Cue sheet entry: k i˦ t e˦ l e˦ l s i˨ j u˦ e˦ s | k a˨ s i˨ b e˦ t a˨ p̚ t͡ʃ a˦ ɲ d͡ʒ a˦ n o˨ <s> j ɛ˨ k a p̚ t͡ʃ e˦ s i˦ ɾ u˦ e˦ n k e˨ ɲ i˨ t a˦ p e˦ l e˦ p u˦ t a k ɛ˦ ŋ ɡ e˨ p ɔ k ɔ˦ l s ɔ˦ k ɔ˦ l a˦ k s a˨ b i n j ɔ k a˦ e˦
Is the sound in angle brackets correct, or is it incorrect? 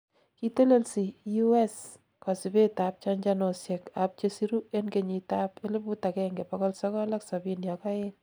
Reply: correct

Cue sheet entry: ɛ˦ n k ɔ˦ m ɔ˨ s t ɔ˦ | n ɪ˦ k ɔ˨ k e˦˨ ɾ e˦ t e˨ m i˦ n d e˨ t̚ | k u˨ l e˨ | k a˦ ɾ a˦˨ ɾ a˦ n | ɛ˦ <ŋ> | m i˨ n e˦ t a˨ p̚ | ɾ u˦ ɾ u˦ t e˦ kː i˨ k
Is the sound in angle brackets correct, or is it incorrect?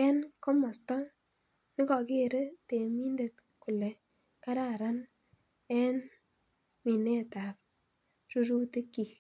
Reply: incorrect: n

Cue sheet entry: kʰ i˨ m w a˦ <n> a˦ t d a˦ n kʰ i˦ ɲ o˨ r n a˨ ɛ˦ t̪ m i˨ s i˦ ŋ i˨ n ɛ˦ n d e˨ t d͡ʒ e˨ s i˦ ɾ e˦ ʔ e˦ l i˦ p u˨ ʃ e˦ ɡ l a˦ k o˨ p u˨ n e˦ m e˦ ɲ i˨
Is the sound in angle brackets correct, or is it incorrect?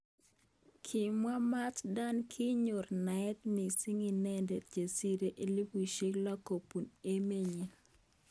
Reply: incorrect: m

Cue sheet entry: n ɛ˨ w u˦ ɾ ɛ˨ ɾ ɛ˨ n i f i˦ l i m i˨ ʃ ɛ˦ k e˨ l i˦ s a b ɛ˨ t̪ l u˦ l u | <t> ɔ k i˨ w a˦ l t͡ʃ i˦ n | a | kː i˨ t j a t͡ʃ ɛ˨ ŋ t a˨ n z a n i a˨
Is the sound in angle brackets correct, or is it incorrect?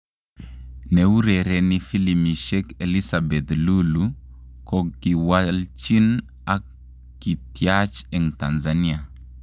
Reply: incorrect: k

